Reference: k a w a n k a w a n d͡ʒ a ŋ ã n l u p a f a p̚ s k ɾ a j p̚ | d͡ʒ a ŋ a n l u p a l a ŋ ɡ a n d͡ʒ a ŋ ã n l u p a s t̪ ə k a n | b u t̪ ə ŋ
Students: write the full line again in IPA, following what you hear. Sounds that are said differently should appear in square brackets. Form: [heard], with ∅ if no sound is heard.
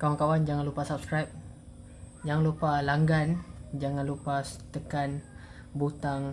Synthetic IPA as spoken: k a w a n k a w a n d͡ʒ a ŋ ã n l u p a [s] a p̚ s k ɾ a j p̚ | d͡ʒ a ŋ a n l u p a l a ŋ ɡ a n d͡ʒ a ŋ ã n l u p a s t̪ ə k a n | b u t̪ [a] ŋ